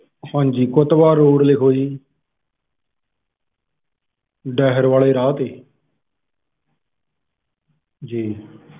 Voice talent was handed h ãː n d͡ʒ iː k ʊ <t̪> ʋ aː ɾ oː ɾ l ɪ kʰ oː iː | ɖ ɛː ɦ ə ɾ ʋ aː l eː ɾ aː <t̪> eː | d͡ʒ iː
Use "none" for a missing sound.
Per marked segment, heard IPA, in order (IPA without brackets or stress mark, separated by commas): t̪, t̪